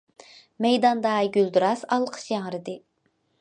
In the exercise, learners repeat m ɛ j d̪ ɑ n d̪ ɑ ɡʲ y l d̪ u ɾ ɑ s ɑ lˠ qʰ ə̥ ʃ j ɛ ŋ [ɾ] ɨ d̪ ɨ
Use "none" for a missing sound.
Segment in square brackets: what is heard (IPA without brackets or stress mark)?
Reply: ɾ